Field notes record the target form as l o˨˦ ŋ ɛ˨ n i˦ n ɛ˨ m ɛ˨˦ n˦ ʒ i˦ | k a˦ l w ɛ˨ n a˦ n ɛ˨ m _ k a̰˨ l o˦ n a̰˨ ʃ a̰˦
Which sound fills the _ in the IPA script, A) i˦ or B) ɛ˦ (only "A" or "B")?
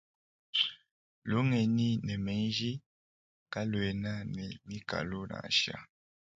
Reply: A